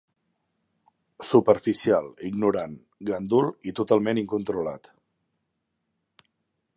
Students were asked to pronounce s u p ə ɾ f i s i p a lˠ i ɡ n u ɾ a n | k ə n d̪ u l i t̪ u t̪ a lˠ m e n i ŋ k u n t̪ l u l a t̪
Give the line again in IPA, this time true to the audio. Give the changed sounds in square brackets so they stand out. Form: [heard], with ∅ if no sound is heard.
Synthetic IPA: s u p ə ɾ f i s i [∅] a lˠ i ɡ n u ɾ a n | [ɡ] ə n d̪ u l i t̪ u t̪ a lˠ m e n i ŋ k u n t̪ [ɾ] u l a t̪